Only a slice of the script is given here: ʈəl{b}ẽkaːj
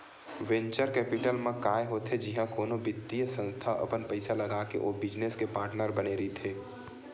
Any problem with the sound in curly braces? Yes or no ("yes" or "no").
yes